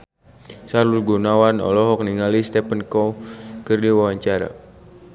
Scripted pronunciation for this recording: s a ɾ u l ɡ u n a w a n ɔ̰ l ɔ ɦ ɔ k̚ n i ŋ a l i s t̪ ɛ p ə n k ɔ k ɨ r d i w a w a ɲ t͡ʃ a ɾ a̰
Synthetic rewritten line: s a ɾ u l ɡ u n a w a n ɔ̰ l ɔ ɦ ɔ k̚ n i ŋ a l i s t̪ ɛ p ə n k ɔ k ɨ r d i w a w a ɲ t͡ʃ a ɾ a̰